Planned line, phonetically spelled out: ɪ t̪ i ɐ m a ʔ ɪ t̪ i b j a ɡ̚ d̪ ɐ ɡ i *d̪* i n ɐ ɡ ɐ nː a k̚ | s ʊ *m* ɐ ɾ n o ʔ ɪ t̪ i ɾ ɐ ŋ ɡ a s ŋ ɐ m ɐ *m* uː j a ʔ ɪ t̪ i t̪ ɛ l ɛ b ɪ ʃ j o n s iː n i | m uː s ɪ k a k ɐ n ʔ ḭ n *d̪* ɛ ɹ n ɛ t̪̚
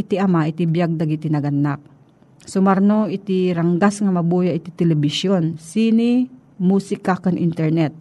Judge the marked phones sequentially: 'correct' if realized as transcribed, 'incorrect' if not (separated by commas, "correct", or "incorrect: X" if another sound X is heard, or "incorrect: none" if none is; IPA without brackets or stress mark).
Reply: incorrect: t̪, correct, incorrect: b, incorrect: t̪